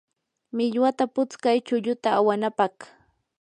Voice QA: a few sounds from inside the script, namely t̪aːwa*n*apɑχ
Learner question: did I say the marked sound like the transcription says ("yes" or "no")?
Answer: yes